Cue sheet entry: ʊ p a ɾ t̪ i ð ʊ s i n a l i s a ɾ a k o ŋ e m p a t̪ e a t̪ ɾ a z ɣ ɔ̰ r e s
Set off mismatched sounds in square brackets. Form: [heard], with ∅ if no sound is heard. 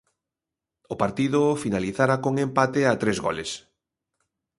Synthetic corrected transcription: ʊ p a ɾ t̪ i ð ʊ [f] i n a l i [θ] a ɾ a k o ŋ e m p a t̪ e a t̪ ɾ [e] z ɣ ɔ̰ [l] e s